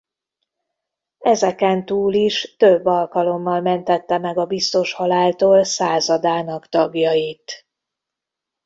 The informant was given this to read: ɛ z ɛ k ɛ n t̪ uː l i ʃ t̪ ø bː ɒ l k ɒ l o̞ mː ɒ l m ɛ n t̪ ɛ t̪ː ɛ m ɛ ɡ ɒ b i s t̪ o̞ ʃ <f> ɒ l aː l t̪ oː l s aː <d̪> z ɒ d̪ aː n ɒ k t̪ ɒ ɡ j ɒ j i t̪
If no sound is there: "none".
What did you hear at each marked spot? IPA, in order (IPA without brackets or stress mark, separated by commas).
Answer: h, none